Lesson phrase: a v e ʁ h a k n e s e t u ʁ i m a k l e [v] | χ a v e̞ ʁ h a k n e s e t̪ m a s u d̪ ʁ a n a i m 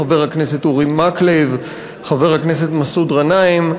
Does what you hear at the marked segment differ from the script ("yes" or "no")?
no